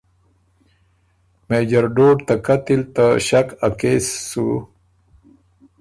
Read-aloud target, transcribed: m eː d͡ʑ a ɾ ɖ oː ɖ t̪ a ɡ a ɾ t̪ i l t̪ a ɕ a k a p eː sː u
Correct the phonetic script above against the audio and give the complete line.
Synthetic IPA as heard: m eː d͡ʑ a ɾ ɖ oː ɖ t̪ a k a t̪ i l t̪ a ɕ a k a k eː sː u